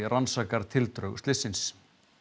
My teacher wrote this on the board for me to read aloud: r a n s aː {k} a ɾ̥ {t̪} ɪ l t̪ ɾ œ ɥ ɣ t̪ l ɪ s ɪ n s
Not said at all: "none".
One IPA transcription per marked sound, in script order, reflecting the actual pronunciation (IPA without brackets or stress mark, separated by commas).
k, t̪ʰ